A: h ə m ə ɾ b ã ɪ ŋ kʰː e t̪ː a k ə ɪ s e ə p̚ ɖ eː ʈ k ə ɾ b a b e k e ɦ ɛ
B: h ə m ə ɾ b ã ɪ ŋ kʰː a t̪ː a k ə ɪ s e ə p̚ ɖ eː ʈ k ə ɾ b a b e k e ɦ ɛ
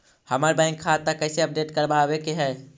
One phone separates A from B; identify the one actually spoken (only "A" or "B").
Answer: B